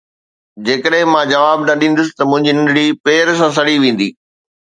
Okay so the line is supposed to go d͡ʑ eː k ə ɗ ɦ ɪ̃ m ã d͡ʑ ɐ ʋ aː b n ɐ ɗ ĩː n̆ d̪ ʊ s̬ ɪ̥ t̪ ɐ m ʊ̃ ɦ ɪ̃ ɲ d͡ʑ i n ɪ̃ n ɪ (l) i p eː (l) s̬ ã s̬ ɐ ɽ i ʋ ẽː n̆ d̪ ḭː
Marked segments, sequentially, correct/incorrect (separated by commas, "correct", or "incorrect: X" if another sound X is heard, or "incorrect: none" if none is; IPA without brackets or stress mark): incorrect: ɽ, incorrect: ɾ